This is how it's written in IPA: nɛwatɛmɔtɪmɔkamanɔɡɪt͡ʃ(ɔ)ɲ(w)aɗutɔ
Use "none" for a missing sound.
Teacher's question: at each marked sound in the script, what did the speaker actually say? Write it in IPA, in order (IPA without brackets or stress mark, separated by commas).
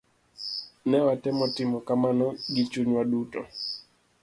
u, w